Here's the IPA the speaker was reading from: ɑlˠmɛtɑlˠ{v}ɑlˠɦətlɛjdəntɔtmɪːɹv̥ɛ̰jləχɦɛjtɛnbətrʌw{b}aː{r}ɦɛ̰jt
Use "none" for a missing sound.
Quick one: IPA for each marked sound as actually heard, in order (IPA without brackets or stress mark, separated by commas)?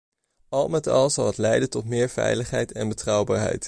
z, b, ɹ